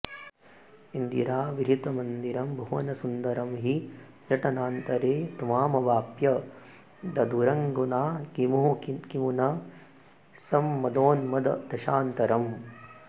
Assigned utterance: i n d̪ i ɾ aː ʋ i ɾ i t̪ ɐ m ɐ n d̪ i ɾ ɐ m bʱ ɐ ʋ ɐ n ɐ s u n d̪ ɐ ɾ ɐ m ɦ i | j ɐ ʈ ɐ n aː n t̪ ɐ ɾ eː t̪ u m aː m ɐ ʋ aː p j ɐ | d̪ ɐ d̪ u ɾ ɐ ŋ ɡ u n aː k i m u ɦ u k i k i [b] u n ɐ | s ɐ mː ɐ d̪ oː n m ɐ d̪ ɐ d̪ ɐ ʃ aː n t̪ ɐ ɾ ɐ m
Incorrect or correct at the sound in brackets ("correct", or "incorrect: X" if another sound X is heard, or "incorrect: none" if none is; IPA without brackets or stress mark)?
incorrect: m